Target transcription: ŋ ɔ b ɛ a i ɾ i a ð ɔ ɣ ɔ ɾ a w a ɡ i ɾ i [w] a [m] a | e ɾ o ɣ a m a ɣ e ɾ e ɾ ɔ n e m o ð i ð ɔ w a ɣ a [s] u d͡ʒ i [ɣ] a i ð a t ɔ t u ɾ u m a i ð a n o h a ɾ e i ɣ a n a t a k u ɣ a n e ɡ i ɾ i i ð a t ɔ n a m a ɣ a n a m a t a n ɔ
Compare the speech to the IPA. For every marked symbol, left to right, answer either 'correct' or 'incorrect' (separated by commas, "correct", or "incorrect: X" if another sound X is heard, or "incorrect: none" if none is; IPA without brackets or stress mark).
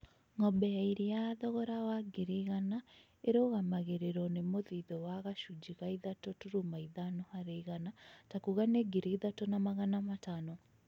incorrect: ɣ, incorrect: n, incorrect: ʃ, correct